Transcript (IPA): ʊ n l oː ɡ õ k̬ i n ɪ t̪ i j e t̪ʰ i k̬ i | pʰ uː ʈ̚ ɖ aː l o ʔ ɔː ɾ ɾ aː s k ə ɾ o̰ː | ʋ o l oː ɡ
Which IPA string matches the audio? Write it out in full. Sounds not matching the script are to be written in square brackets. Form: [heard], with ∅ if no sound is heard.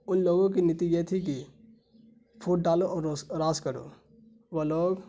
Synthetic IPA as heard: ʊ n l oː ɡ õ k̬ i n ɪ t̪ i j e t̪ʰ i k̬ i | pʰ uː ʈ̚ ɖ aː l o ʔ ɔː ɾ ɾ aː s k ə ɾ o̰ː | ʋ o l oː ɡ